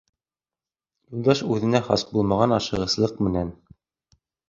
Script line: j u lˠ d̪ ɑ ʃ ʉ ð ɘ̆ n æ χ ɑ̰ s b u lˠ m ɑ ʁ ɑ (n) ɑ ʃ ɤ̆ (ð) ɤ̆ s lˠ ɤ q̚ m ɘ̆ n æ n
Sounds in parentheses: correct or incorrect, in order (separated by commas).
correct, incorrect